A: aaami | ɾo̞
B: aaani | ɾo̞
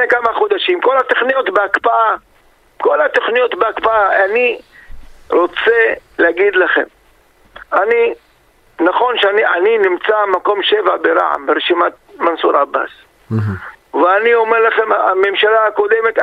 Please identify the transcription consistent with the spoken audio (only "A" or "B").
B